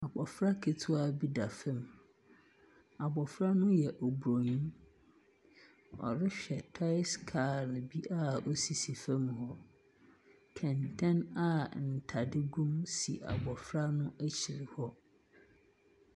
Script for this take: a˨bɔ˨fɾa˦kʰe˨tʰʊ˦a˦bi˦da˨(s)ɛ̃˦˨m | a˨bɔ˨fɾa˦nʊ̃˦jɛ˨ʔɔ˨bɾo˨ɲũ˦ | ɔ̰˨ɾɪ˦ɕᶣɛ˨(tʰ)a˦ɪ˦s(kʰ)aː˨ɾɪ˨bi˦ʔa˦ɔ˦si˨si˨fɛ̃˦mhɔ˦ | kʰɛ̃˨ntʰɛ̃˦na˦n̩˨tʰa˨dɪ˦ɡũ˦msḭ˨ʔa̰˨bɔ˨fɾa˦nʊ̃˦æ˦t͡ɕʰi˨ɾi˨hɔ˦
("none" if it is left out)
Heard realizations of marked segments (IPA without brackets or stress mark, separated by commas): f, tʰ, kʰ